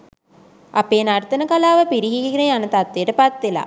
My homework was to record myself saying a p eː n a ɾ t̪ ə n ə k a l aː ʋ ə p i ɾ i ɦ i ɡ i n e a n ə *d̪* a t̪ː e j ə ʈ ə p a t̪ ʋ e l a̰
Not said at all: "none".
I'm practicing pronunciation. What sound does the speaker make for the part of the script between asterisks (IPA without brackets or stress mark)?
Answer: t̪